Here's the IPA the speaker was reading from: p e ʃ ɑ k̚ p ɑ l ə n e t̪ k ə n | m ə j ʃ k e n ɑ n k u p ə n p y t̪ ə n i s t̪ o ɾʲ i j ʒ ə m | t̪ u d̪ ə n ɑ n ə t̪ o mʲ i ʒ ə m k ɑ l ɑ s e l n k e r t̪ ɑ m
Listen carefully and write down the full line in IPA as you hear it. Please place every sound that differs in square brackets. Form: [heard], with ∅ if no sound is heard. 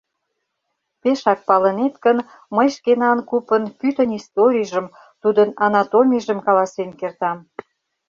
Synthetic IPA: p e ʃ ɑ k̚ p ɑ l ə n e t̪ k ə n | m ə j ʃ k e n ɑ n k u p ə n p y t̪ ə n i s t̪ o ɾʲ i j ʒ ə m | t̪ u d̪ ə n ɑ n [ɑ] t̪ o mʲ i ʒ ə m k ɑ l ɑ s e [∅] n k e r t̪ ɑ m